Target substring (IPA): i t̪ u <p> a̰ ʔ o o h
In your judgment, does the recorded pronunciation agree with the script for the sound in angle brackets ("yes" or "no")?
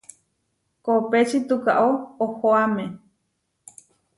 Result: no